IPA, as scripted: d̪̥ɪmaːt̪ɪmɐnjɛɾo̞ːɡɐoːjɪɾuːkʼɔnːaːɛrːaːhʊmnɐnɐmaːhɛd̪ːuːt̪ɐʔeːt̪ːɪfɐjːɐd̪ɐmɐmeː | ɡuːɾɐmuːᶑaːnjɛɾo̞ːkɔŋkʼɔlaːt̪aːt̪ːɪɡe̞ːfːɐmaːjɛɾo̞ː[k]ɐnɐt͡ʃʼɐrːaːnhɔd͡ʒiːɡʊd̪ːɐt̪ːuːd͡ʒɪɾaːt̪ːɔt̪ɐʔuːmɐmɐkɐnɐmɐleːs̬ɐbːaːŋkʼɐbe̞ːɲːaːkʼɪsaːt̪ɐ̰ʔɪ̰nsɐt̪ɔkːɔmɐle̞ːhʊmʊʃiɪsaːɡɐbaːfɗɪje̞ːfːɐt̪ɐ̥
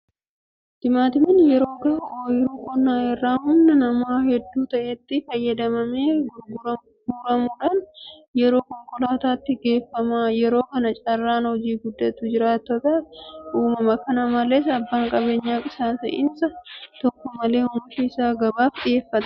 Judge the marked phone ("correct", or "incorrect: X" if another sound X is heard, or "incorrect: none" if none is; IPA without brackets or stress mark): correct